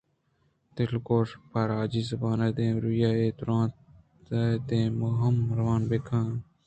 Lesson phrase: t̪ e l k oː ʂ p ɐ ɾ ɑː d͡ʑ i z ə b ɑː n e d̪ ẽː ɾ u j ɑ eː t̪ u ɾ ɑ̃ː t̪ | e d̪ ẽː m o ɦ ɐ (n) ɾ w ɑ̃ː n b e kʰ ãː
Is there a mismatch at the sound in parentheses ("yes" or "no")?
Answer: yes